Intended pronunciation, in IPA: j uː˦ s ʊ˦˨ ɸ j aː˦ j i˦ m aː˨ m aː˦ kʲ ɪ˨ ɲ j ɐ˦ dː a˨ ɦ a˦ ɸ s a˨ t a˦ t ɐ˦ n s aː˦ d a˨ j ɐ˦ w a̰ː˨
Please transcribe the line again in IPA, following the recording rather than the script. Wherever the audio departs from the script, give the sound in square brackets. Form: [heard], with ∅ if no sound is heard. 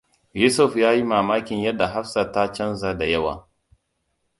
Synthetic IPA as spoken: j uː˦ s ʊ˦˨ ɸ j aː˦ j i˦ m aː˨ m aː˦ kʲ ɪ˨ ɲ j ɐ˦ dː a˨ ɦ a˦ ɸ s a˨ t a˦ [t͡ʃ] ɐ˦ n [z] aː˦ d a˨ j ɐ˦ w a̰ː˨

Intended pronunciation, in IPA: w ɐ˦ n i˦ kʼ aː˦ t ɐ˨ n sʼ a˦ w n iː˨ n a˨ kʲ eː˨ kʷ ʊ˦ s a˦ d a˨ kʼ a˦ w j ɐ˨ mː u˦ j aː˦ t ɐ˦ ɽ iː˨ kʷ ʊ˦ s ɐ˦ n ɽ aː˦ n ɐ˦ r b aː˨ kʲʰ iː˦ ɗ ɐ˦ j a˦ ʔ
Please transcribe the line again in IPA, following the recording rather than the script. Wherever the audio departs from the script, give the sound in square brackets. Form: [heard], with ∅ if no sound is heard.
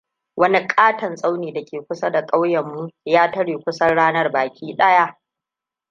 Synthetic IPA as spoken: w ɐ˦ n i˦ kʼ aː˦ t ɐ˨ n sʼ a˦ w n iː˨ [d] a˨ kʲ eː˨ kʷ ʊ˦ s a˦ d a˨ kʼ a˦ w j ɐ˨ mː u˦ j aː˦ t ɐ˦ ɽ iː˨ kʷ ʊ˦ s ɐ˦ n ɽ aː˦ n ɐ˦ r b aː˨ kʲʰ iː˦ ɗ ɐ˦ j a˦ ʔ

